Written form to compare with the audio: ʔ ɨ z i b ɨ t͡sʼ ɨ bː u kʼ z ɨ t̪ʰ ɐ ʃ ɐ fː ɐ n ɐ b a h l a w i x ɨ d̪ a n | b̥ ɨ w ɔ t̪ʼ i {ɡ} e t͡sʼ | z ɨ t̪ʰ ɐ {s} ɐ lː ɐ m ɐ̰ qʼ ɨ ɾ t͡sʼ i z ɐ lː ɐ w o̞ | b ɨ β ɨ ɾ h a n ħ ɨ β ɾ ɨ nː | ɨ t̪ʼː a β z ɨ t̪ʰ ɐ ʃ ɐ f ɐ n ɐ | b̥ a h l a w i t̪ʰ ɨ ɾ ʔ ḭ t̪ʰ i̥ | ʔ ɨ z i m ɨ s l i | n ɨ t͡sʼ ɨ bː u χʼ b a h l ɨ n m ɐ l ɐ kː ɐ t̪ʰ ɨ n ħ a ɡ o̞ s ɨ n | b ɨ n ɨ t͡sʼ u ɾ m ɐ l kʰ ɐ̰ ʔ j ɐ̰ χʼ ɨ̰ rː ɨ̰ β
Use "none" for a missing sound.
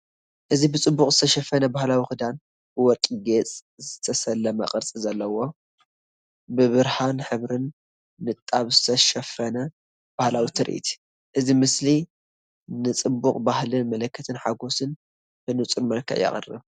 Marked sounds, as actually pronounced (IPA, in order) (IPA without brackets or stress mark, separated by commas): ɡ, s